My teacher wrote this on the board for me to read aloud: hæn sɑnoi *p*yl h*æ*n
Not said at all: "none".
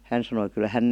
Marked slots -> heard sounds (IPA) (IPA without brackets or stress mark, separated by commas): k, æ